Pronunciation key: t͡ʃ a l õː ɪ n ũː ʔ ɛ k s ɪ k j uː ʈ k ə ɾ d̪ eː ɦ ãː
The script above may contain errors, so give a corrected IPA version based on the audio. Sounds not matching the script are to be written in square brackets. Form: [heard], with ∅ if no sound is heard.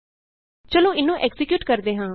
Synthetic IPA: t͡ʃ [ə] l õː ɪ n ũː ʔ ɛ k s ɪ k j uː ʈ k ə ɾ d̪ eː ɦ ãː